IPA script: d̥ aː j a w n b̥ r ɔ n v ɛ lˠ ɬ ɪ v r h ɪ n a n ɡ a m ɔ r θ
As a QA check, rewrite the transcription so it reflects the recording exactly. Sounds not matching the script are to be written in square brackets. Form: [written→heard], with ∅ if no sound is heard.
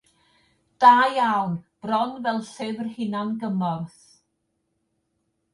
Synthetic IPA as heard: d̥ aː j a w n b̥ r ɔ n v ɛ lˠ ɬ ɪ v r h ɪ n a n ɡ [a→ə] m ɔ r θ